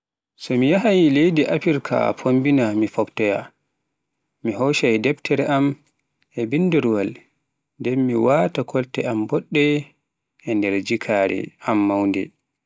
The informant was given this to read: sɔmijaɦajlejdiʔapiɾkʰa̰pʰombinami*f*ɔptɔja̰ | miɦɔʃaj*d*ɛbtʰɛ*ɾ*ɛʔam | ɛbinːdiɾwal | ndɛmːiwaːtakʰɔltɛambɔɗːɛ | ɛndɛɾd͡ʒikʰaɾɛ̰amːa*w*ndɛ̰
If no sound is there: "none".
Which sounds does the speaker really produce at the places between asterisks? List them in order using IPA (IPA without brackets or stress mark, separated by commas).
f, d, ɾ, w